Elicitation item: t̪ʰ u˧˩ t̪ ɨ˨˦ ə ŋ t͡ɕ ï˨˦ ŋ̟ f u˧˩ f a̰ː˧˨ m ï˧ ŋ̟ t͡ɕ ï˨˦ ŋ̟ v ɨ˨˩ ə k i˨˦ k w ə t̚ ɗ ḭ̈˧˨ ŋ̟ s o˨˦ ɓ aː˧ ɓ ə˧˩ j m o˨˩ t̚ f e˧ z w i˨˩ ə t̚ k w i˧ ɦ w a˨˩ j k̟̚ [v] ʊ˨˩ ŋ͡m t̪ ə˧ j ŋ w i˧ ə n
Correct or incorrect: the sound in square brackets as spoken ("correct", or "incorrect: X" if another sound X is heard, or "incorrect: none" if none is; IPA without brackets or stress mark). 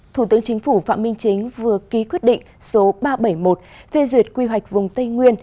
correct